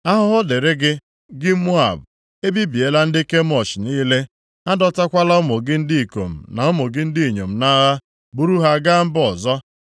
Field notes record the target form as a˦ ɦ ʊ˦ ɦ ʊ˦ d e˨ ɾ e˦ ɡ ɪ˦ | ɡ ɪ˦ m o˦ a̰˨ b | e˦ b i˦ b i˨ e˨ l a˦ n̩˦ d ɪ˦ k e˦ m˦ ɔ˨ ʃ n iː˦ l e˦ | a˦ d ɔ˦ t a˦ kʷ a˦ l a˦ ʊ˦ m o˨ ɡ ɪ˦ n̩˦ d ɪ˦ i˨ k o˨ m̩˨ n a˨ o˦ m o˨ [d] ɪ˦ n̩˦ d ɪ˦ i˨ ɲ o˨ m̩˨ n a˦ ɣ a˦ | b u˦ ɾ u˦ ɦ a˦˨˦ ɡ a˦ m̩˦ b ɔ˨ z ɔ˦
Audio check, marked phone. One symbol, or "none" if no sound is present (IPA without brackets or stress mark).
ɡ